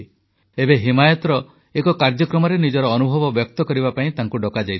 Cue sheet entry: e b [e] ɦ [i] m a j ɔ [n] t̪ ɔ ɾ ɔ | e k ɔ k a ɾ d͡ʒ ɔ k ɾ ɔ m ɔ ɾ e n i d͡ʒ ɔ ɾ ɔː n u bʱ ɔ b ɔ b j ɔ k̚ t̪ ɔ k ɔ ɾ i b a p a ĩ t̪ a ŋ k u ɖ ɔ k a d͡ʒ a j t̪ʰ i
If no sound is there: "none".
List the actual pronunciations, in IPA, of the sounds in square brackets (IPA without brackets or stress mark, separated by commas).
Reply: e, i, none